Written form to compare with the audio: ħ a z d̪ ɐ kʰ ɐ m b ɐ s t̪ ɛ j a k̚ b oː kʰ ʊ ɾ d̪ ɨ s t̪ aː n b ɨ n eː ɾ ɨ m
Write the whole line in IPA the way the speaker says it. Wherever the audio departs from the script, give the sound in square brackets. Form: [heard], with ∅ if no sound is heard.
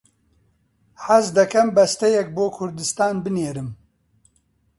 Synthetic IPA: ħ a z d̪ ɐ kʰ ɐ m b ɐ s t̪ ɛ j [ɛ] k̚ b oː kʰ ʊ ɾ d̪ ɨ s t̪ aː n b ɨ n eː ɾ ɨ m